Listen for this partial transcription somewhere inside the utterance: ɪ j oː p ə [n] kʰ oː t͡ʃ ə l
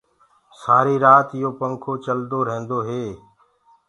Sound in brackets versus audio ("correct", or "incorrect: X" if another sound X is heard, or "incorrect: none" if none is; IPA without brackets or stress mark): incorrect: ŋ